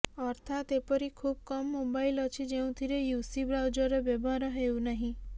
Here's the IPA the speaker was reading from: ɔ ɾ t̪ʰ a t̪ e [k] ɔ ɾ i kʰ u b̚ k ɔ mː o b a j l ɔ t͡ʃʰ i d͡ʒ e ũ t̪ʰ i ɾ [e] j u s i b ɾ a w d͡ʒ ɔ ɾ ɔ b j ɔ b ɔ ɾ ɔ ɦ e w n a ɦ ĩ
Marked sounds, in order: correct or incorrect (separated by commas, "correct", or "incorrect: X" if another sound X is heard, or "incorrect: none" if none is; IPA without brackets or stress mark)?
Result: incorrect: p, correct